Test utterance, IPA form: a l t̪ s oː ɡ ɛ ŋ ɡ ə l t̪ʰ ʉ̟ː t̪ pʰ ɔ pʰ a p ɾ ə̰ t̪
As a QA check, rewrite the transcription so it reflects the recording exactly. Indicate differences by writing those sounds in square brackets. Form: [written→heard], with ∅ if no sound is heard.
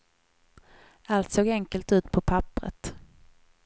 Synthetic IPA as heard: a l t̪ s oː ɡ ɛ ŋ [ɡ→k] ə l [t̪ʰ→t̪] ʉ̟ː t̪ pʰ ɔ pʰ a p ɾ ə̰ t̪